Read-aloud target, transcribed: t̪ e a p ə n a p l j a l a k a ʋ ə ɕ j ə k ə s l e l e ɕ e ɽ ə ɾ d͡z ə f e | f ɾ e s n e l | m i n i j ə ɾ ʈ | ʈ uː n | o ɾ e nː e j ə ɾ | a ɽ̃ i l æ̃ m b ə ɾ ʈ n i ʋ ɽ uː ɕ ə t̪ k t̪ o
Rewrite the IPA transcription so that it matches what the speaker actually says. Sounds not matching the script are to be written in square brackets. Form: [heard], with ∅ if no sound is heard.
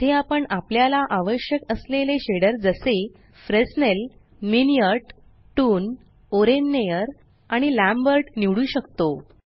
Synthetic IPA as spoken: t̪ e a p ə [ɳ] a p l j a l a [ʔ] a ʋ ə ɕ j ə k ə s l e l e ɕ e ɽ ə ɾ d͡z ə [s] e | f ɾ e s n e l | m i n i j ə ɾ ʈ | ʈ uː n | o ɾ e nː e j ə ɾ | a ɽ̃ i l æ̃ m b ə ɾ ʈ n i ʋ ɽ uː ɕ ə [∅] k t̪ o

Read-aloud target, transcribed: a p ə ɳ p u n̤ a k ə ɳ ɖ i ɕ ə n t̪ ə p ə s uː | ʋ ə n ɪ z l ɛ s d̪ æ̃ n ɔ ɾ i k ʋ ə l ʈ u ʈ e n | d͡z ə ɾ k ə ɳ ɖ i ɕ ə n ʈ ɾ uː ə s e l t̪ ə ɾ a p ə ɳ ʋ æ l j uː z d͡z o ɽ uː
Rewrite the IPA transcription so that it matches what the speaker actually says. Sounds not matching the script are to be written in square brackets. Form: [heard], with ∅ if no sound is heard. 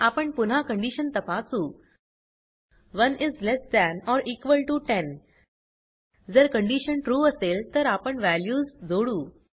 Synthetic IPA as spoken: a p ə ɳ p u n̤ a k ə ɳ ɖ i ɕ ə n t̪ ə p [a] s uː | ʋ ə n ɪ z l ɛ s d̪ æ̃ n ɔ ɾ i k ʋ ə l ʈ u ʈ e n | d͡z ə ɾ k ə ɳ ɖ i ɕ ə n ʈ ɾ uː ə s e l t̪ ə ɾ a p ə ɳ ʋ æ l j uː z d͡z o ɽ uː

